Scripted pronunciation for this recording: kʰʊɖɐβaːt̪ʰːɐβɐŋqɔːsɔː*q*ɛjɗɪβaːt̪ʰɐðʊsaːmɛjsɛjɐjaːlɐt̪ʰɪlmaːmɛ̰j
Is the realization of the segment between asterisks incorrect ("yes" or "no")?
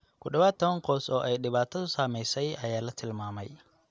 yes